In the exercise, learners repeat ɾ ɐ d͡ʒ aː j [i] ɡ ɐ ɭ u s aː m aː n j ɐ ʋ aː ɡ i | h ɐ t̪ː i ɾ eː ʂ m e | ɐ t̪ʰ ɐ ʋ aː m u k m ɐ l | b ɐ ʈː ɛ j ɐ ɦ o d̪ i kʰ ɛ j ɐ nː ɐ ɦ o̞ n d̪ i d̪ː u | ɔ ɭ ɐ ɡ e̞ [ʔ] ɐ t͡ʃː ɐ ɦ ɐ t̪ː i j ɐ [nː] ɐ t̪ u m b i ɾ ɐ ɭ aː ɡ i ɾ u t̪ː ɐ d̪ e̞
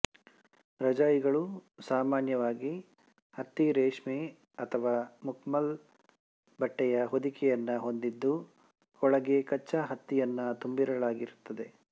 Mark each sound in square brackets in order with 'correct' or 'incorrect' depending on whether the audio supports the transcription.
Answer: correct, incorrect: k, correct

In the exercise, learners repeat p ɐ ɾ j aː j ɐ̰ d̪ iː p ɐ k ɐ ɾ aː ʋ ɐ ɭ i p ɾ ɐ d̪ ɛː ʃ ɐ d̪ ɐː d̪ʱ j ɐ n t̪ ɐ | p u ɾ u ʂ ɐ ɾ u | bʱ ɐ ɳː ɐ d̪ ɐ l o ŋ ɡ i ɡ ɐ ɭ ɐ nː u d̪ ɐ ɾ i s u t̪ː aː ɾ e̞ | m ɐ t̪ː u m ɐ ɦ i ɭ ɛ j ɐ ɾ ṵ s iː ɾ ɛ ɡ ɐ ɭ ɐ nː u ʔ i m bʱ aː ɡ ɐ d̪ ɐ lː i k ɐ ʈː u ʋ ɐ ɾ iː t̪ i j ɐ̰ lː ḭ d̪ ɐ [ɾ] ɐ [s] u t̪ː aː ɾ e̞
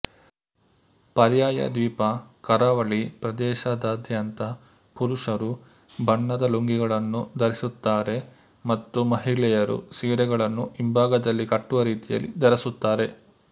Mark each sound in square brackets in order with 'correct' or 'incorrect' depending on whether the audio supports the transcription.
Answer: correct, correct

